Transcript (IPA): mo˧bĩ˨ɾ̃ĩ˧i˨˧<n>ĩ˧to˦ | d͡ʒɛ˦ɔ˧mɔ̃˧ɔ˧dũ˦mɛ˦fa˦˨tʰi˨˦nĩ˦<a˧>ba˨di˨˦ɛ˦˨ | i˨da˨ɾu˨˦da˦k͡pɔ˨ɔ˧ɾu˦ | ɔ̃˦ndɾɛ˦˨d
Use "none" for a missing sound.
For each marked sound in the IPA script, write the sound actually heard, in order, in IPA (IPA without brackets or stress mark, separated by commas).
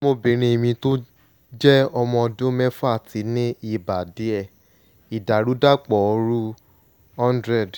m, i˧